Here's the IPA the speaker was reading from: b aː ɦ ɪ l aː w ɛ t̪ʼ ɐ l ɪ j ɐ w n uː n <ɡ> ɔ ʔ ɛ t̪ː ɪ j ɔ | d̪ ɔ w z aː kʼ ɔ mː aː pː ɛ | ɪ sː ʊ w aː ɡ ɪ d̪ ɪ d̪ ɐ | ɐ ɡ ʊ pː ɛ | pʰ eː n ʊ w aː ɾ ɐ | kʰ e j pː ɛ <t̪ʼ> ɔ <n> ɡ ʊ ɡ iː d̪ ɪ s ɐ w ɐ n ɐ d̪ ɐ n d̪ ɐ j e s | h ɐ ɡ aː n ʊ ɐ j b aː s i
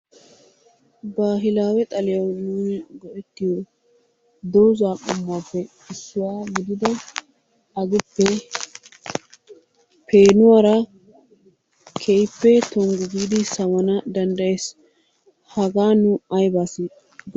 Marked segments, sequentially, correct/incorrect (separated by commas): correct, incorrect, incorrect